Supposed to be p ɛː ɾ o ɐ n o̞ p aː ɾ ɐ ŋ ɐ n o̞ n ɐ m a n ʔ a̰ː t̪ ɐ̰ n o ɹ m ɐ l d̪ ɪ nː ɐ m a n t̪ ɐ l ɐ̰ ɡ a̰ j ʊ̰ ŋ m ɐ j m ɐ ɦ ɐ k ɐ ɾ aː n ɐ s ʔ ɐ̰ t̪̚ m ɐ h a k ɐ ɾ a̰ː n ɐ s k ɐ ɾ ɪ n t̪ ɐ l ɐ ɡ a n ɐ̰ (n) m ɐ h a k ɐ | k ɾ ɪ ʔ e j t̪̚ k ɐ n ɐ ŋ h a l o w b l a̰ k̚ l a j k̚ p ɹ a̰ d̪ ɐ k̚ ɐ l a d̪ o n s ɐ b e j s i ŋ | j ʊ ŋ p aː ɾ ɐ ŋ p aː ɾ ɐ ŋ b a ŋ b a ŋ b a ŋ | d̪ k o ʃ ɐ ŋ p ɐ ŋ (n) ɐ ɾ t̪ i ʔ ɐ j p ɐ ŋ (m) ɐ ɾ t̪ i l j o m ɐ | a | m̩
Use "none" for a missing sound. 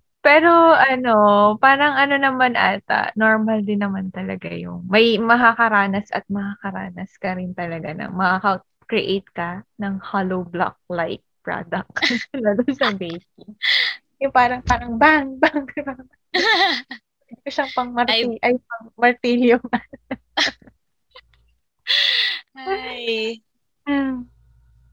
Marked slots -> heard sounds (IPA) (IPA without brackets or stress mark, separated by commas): ŋ, m, m